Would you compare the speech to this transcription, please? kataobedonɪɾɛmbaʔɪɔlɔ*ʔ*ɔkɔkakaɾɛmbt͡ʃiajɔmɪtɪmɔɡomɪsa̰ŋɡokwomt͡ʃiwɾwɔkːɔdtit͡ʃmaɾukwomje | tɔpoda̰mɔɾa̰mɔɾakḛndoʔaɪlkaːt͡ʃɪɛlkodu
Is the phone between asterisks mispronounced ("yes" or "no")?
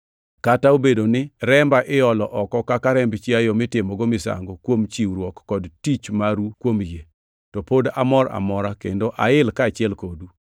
no